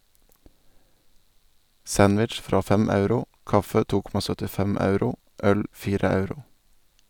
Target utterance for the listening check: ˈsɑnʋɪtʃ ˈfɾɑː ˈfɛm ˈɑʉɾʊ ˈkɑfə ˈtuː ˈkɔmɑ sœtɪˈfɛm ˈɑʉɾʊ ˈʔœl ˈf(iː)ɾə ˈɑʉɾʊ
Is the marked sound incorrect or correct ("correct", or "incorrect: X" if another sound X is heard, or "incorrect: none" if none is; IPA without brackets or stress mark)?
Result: correct